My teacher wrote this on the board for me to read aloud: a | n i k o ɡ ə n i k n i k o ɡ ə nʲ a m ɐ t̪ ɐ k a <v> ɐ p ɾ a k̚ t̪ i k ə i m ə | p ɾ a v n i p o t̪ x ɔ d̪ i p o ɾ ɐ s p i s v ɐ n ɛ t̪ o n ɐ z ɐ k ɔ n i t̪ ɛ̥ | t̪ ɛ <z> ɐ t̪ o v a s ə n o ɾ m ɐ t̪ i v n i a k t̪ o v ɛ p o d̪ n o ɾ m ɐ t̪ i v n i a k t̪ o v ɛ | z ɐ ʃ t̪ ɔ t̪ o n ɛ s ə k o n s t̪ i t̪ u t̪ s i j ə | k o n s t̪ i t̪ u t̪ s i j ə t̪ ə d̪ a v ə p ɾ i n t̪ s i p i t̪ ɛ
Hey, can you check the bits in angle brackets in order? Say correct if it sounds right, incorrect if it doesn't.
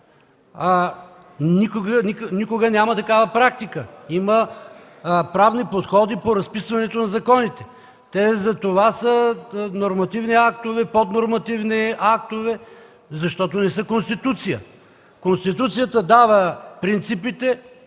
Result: correct, correct

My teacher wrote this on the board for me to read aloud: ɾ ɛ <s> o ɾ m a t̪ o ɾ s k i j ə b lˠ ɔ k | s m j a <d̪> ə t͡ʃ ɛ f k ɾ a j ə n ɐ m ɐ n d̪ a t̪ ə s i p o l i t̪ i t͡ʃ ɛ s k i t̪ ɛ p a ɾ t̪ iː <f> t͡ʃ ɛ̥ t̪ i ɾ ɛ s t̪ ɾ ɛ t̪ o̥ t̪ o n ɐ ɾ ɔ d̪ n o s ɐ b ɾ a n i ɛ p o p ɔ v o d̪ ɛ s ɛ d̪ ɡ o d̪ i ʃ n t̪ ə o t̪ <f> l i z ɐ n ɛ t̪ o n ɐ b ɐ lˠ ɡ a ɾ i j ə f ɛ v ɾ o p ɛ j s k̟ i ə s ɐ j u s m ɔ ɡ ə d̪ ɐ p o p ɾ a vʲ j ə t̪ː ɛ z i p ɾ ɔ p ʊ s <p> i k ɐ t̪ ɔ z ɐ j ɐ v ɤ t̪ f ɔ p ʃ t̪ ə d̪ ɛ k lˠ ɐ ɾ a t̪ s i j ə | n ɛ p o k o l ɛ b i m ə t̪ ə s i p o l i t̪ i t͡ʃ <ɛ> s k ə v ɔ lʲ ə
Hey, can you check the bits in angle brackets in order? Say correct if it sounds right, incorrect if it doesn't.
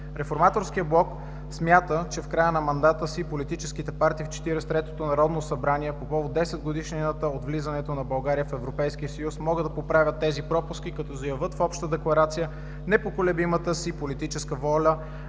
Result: incorrect: f, incorrect: t̪, correct, incorrect: v, incorrect: k, correct

